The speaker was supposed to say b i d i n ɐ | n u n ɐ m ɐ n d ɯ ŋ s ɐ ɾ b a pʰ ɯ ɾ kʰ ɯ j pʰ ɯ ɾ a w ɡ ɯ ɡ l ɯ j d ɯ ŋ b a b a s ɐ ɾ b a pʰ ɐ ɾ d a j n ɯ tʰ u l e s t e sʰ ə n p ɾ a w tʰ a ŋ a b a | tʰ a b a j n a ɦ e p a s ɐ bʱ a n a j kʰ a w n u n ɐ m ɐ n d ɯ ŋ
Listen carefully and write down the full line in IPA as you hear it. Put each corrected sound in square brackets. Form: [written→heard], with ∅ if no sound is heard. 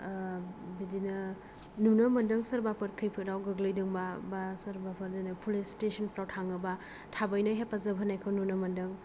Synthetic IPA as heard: b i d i n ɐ | n u n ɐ m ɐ n d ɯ ŋ s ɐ ɾ b a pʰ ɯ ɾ kʰ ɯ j pʰ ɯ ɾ a w ɡ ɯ ɡ l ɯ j d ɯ ŋ b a b a s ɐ ɾ b a pʰ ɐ ɾ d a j n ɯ [tʰ→pʰ] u l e s t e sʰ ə n p ɾ a w tʰ a ŋ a b a | tʰ a b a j n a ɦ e p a [s→z] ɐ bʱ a n a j kʰ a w n u n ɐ m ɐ n d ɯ ŋ